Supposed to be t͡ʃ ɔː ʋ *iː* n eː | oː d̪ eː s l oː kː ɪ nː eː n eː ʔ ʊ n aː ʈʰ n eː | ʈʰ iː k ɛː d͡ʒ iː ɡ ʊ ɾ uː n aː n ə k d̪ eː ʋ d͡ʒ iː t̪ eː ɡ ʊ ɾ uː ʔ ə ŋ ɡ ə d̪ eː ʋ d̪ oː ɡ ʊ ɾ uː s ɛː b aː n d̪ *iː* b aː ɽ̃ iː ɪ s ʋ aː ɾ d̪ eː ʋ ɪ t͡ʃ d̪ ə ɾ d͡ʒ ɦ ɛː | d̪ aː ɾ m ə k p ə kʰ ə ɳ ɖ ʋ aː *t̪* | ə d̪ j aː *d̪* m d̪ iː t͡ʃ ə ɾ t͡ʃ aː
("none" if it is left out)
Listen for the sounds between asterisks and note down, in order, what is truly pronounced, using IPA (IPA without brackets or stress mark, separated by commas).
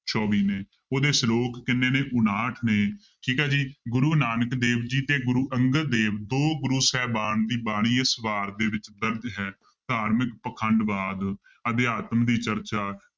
iː, iː, d̪, t̪